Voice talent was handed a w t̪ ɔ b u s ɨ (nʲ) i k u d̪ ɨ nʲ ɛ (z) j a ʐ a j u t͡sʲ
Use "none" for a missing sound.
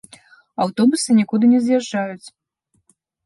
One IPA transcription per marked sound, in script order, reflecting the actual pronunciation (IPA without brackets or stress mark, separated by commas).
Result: nʲ, z